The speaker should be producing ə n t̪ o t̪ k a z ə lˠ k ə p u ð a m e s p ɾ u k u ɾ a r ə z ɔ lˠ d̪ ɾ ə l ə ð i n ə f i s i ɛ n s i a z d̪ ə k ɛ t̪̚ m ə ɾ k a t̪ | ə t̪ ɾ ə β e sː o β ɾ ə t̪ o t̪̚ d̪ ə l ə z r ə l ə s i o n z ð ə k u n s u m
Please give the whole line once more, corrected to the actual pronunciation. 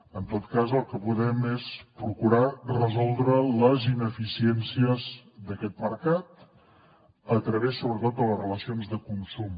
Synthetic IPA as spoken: ə n t̪ o t̪ k a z ə lˠ k ə p u ð ɛ m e s p ɾ u k u ɾ a r ə z ɔ lˠ d̪ ɾ ə l ə z i n ə f i s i ɛ n s i ə z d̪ ə k ɛ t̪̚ m ə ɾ k a t̪ | ə t̪ ɾ ə β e sː o β ɾ ə t̪ o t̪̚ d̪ ə l ə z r ə l ə s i o n z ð ə k u n s u m

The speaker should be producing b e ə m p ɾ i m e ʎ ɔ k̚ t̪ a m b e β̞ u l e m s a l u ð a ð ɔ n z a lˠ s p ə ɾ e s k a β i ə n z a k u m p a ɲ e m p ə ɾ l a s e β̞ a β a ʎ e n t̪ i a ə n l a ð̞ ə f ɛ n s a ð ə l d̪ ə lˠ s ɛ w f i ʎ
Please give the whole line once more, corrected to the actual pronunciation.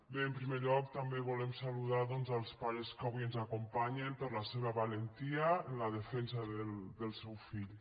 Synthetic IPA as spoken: b e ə m p ɾ i m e ʎ ɔ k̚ t̪ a m b e β̞ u l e m s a l u ð a ð ɔ n z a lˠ s p a ɾ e s k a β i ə n z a k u m p a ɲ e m p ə ɾ l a s e β̞ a β a l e n t̪ i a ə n l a ð̞ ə f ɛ n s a ð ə l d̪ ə lˠ s ɛ w f i ʎ

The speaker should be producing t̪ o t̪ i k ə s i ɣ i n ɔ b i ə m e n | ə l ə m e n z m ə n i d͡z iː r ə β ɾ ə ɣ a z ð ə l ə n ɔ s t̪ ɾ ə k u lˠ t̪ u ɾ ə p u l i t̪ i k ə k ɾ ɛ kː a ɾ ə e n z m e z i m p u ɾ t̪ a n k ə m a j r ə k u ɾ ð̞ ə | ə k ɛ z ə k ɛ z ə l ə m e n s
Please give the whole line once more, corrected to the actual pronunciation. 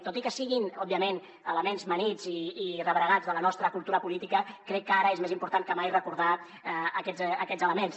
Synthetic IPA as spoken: t̪ o t̪ i k ə s i ɣ i n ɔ b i ə m e n | ə l ə m e n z m ə n i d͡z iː r ə β ɾ ə ɣ a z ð ə l ə n ɔ s t̪ ɾ ə k u lˠ t̪ u ɾ ə p u l i t̪ i k ə k ɾ ɛ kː a ɾ ə e z m e z i m p u ɾ t̪ a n k ə m a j r ə k u ɾ ð̞ a | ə k ɛ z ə k ɛ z ə l ə m e n s

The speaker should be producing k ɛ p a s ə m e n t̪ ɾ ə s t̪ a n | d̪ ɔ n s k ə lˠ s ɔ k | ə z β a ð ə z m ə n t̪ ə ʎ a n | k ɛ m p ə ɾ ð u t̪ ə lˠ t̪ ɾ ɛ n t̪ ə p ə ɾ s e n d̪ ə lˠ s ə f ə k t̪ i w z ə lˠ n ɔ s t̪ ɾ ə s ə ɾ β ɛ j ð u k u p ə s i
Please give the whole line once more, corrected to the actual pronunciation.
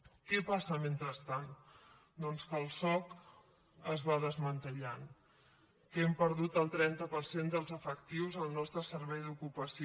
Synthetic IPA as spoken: k ɛ p a s ə m e n t̪ ɾ ə s t̪ a n | d̪ ɔ n s k ə lˠ s ɔ k | ə z β a ð ə z m ə n t̪ ə ʎ a n | k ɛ m p ə ɾ ð u t̪ ə lˠ t̪ ɾ ɛ n t̪ ə p ə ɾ s e n d̪ ə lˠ z ə f ə k t̪ i w z ə lˠ n ɔ s t̪ ɾ ə s ə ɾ β ɛ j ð u k u p ə s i

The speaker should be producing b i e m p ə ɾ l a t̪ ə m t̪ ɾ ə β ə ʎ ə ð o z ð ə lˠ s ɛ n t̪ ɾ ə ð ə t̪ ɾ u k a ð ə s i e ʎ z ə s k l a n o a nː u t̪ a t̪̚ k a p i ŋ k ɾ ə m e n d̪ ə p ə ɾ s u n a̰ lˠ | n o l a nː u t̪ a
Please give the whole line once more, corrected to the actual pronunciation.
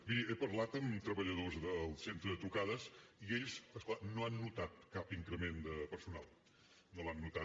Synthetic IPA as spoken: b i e p ə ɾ l a t̪ ə m t̪ ɾ ə β ə ʎ ə ð o z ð ə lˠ s e n t̪ ɾ ə ð ə t̪ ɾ u k a ð ə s i e ʎ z ə s k l a n o a nː u t̪ a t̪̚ k a p i ŋ k ɾ ə m e n d̪ ə p ə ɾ s u n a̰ lˠ | n o l a nː u t̪ a

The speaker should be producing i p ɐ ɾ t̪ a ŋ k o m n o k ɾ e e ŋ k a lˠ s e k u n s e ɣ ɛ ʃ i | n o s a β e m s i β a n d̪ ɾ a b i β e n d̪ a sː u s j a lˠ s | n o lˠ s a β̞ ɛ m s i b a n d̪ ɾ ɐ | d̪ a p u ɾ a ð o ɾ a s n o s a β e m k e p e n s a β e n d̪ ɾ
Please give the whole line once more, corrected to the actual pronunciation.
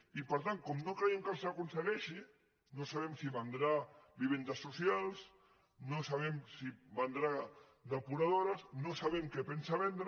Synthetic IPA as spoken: i p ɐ ɾ t̪ a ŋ k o m n o k ɾ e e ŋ k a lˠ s a k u n s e ɣ ɛ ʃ i | n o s a β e m s i β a n d̪ ɾ a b i β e n d̪ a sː u s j a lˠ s | n o s a β̞ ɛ m s i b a n d̪ ɾ a | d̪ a p u ɾ a ð o ɾ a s n o s a β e m k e p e n s a β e n d̪ ɾ

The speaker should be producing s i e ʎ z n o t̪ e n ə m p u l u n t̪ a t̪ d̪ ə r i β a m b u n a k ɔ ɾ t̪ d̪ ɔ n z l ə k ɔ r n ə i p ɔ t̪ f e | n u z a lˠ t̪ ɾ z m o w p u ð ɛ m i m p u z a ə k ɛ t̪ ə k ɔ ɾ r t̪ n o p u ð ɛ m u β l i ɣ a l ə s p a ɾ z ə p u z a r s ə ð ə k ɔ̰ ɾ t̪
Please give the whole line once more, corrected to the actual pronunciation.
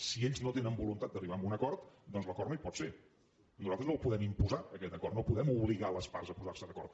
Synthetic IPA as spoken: s i e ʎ z n o t̪ e n ə m b u l u n t̪ a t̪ d̪ ə r i β a m b u n ə k ɔ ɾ t̪ d̪ ɔ n z l ə k ɔ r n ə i p ɔ t̪ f e | n u z a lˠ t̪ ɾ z n o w p u ð ɛ m i m p u z a ə k ɛ t̪ ə k ɔ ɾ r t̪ n o p u ð ɛ m u β l i ɣ a l ə s p a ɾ z ə p u z a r s ə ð ə k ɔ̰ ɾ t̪

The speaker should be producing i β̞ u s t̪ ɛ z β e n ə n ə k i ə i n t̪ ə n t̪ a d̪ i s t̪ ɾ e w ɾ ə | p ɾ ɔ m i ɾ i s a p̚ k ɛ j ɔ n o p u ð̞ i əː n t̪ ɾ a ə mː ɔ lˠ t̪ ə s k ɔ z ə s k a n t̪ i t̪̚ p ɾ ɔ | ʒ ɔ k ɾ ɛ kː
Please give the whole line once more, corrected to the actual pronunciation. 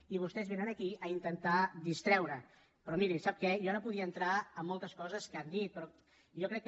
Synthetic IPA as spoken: i β̞ u s t̪ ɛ z β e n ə n ə k i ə i n t̪ ə n t̪ a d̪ i s t̪ ɾ ɛ w ɾ ə | p ɾ ɔ m i ɾ i s a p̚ k ɛ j ɔ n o p u ð̞ i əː n t̪ ɾ a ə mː ɔ lˠ t̪ ə s k ɔ z ə s k a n d̪ i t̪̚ p ɾ ɔ | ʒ ɔ k ɾ ɛ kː

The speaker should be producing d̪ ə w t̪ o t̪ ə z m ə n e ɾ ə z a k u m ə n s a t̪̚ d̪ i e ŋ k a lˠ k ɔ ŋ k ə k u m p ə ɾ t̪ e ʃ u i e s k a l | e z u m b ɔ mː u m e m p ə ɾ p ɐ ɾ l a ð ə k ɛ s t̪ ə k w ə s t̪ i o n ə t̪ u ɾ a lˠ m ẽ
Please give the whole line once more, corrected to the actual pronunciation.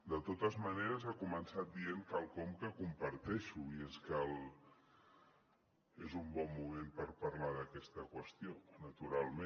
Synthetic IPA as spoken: d̪ ə t̪ o t̪ ə z m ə n e ɾ ə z a k u m ə n s a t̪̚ d̪ i e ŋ k a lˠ k ɔ m k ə k u m p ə ɾ t̪ ɛ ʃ u i e s k a l | e z u m b ɔ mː u m e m p ə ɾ p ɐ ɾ l a ð ə k ɛ s t̪ ə k w ə s t̪ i o n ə t̪ u ɾ a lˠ m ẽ

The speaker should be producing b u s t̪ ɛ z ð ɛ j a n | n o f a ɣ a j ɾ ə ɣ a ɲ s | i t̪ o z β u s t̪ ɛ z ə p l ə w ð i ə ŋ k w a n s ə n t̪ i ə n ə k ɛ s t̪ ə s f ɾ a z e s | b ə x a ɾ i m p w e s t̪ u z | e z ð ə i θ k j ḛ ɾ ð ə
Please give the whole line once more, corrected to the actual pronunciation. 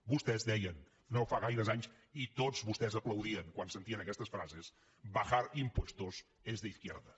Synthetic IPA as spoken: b u s t̪ ɛ z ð ɛ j ə n | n o f a ɣ a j ɾ ə z a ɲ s | i t̪ o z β u s t̪ ɛ z ə p l ə w ð i ə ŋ k w a n s ə n t̪ i ə n ə k ɛ s t̪ ə s f ɾ a z e s | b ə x a ɾ i m p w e s t̪ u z | e z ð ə i θ k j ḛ ɾ ð ə

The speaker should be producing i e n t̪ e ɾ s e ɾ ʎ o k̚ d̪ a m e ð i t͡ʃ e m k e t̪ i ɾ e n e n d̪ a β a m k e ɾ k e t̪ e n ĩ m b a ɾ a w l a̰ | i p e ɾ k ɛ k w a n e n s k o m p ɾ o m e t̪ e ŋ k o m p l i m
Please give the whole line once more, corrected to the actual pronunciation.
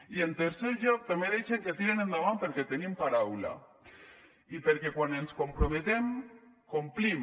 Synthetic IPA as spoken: i e n t̪ e ɾ s e ɾ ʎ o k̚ t̪ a m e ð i t͡ʃ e ŋ k e t̪ i ɾ e n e n d̪ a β a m p e ɾ k e t̪ e n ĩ m p a ɾ a w l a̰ | i p e ɾ k e k w a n e n s k o m p ɾ o m e t̪ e m k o m p l i m

